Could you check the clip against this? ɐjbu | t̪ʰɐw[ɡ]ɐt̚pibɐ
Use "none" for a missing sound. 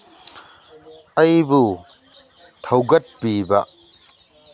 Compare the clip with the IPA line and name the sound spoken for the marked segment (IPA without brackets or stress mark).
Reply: ɡ